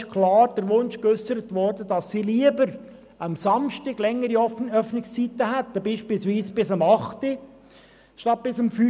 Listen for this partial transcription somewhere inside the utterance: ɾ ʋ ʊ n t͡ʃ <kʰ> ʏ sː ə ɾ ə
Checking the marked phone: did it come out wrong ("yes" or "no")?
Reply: yes